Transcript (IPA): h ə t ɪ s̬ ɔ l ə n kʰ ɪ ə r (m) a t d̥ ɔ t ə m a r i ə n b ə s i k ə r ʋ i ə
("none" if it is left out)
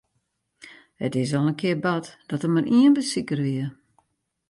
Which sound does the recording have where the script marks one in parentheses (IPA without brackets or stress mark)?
b